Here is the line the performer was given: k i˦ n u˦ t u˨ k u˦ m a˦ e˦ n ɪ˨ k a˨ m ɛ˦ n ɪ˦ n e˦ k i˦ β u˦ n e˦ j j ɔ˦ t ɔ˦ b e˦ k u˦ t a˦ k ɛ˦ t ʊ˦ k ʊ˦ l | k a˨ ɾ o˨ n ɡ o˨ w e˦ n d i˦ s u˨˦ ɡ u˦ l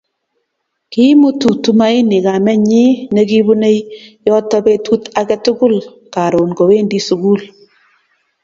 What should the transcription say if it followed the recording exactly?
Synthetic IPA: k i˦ m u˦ t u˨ t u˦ m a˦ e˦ n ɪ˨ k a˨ m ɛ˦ ɲ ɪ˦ n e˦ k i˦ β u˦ n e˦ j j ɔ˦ t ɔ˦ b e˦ t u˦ t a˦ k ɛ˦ t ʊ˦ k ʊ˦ l | k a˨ ɾ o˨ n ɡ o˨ w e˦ n d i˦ s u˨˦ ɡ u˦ l